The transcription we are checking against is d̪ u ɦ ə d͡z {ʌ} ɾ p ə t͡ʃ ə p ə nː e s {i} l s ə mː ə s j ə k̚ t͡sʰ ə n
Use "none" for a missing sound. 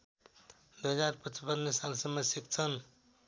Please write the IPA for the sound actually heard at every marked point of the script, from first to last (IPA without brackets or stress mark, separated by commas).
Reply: a, a